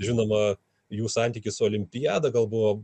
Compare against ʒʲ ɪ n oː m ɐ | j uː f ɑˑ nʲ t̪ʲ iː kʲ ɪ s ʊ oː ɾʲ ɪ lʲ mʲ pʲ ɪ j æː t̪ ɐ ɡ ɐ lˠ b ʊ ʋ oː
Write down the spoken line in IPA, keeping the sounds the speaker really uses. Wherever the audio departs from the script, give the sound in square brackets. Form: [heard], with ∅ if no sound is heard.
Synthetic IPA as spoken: ʒʲ ɪ n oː m ɐ | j uː [s] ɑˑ nʲ t̪ʲ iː kʲ ɪ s ʊ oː [lʲ] ɪ [∅] mʲ pʲ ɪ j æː [d̪] ɐ ɡ ɐ lˠ b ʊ ʋ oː